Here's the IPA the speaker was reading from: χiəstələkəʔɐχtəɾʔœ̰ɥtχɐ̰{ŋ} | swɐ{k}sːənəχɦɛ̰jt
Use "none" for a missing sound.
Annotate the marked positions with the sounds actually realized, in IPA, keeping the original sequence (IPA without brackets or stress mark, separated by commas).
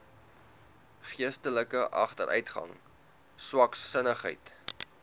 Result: ŋ, k